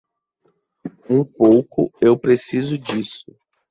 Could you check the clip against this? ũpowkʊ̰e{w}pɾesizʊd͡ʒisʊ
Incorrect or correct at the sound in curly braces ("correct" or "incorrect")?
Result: correct